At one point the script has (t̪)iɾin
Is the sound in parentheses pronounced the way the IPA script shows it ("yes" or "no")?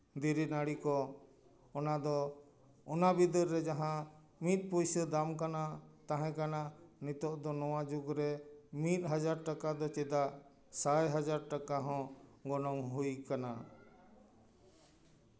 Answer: no